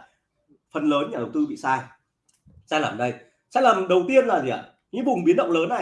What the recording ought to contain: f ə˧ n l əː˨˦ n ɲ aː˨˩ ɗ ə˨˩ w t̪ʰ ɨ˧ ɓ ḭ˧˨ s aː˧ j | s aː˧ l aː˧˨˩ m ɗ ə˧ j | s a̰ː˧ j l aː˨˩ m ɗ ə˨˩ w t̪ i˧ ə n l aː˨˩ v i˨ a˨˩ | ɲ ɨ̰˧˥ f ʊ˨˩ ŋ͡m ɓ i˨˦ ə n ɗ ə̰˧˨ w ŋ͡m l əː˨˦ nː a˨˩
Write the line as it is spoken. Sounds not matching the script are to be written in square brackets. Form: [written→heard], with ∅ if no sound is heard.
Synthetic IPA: f [ə˧→ə˨˩] n l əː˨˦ n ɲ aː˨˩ ɗ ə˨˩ w [t̪ʰ→t̪] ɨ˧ ɓ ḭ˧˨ s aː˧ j | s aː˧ l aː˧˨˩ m ɗ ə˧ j | s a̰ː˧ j l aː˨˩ m ɗ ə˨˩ w t̪ i˧ ə n l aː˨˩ [v→z] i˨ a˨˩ | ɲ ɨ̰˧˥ [f→v] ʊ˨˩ ŋ͡m ɓ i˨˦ ə n ɗ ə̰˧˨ w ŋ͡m l əː˨˦ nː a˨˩